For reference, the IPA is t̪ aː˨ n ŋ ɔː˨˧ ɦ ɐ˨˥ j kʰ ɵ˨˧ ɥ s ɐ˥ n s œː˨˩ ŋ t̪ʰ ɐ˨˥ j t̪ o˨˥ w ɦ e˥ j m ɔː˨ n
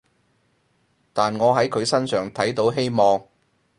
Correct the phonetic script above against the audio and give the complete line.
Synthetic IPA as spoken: t̪ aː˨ n ŋ ɔː˨˧ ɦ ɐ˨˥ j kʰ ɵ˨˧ ɥ s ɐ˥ n s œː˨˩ ŋ t̪ʰ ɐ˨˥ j t̪ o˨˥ w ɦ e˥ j m ɔː˨ ŋ

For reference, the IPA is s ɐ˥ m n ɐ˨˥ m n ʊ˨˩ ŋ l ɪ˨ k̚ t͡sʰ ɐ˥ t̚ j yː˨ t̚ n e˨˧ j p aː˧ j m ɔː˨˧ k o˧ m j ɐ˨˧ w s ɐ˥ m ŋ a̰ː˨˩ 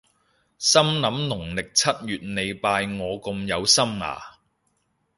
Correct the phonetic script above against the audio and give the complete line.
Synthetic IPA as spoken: s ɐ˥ m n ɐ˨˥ m n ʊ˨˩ ŋ l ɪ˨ k̚ t͡sʰ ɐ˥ t̚ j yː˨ t̚ n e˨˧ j p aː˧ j ŋ ɔː˨˧ k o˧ m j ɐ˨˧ w s ɐ˥ m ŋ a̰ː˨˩

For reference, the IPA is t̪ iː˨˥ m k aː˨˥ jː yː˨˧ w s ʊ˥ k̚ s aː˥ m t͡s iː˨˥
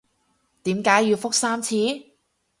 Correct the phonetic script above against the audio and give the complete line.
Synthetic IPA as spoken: t̪ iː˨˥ m k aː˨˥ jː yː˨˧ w f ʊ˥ k̚ s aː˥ m t͡sʰ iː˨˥

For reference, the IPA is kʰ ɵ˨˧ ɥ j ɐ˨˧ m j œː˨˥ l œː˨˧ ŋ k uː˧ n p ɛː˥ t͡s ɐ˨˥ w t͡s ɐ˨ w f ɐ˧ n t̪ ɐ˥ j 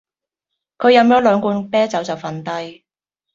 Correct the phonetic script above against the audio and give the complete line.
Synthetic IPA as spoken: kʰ ɵ˨˧ ɥ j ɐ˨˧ m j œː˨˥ l œː˨˧ ŋ k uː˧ n p ɛː˥ t͡s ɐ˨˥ w t͡s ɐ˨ w f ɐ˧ n t̪ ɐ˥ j

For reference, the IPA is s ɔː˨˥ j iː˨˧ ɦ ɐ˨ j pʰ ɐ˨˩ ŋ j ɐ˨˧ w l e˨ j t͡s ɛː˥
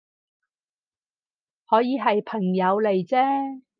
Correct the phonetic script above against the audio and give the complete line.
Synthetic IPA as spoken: h ɔː˨˥ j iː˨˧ ɦ ɐ˨ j pʰ ɐ˨˩ ŋ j ɐ˨˧ w l e˨ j t͡s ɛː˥

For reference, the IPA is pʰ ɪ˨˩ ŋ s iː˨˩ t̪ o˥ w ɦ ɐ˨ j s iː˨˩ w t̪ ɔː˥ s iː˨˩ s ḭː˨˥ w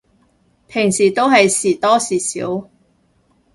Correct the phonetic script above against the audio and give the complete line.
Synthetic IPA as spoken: pʰ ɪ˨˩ ŋ s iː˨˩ t̪ o˥ w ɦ ɐ˨ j s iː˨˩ t̪ ɔː˥ s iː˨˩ s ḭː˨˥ w

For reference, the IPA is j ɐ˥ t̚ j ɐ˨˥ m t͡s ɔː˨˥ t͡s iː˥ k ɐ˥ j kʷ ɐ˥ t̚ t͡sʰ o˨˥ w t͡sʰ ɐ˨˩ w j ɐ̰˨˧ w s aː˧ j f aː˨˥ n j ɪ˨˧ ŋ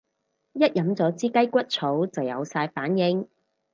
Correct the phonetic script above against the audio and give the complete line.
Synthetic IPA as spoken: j ɐ˥ t̚ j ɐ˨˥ m t͡s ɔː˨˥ t͡s iː˥ k ɐ˥ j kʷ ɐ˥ t̚ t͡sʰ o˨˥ w t͡s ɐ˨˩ w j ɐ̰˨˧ w s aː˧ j f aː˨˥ n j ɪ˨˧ ŋ

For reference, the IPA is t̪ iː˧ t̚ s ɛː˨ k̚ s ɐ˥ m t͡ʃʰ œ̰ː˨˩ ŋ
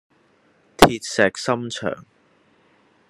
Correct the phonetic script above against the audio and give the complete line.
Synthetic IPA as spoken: t̪ʰ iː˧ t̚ s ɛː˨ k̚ s ɐ˥ m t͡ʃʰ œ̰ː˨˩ ŋ

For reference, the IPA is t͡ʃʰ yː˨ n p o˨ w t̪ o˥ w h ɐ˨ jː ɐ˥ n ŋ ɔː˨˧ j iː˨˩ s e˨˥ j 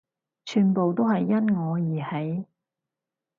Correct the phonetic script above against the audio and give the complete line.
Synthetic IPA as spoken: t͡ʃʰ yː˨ n p o˨ w t̪ o˥ w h ɐ˨ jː ɐ˥ n ŋ ɔː˨˧ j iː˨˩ h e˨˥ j

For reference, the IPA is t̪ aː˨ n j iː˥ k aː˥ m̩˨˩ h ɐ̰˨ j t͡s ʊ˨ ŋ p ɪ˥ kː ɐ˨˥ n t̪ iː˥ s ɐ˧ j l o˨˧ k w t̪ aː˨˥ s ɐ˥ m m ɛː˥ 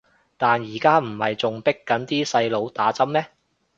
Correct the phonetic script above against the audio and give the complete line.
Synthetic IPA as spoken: t̪ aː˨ n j iː˨˩ k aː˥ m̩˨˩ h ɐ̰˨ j t͡s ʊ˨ ŋ p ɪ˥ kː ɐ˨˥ n t̪ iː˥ s ɐ˧ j l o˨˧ w t̪ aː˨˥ t͡s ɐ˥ m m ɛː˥

